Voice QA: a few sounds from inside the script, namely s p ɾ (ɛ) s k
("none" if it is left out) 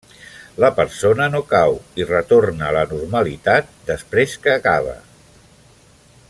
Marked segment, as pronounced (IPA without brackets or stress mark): e